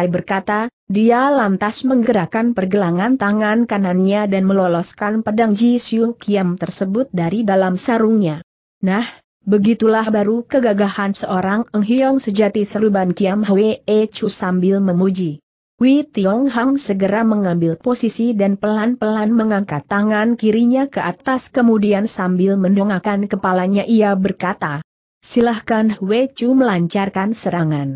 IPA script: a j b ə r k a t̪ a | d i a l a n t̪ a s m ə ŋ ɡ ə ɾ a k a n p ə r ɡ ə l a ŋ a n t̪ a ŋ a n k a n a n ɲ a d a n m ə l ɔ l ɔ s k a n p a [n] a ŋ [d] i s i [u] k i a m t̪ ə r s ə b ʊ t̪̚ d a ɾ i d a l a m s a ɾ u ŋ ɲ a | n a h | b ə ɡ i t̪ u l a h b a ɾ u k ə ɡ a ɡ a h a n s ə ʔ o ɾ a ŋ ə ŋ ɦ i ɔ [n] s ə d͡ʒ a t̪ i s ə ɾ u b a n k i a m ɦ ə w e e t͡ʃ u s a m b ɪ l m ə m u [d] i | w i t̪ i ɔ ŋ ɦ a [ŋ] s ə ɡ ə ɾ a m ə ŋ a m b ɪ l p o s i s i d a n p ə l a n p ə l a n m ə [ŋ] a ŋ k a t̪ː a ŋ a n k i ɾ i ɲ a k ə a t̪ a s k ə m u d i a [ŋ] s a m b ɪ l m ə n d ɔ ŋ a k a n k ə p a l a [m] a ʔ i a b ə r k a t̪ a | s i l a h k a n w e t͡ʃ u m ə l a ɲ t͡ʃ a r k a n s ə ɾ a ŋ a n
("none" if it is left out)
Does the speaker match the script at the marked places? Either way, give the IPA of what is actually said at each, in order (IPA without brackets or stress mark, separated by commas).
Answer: d, d͡ʒ, u, ŋ, d͡ʒ, ŋ, ŋ, n, ɲ